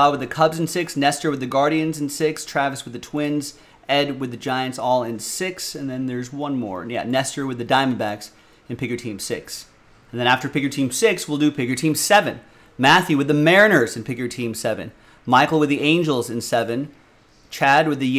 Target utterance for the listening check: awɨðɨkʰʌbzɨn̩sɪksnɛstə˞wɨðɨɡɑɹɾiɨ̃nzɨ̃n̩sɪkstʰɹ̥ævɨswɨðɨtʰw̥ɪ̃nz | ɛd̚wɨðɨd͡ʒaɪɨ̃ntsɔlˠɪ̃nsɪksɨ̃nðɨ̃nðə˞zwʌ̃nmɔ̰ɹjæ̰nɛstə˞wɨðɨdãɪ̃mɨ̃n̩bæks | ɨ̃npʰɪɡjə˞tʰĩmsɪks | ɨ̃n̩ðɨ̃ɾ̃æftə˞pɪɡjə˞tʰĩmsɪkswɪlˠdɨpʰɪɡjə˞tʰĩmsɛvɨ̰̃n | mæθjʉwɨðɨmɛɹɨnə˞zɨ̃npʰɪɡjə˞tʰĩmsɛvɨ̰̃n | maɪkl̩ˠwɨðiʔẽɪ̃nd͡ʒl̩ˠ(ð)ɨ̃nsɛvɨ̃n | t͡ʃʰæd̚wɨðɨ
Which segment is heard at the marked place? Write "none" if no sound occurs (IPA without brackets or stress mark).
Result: z